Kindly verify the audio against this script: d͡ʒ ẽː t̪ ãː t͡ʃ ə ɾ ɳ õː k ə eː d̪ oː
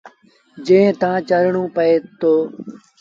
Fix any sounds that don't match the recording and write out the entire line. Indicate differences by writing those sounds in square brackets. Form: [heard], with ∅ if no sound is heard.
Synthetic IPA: d͡ʒ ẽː t̪ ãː t͡ʃ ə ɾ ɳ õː [p] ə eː [t̪] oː